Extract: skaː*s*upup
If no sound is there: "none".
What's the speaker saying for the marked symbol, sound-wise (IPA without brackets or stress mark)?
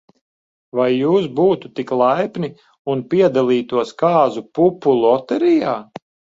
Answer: z